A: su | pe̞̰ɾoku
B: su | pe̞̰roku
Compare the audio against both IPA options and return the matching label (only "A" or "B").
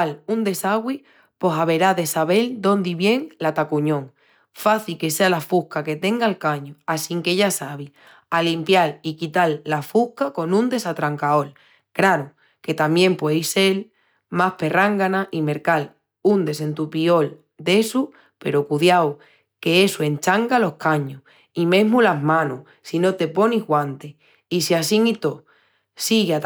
A